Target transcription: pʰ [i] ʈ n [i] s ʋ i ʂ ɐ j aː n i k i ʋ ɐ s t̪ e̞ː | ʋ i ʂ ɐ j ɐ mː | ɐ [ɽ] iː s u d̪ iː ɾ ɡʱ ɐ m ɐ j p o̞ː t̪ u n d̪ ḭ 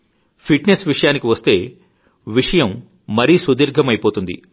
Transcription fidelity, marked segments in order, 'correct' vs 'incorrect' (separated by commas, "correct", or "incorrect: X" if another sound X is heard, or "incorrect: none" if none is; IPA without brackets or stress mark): correct, incorrect: e, incorrect: ɾ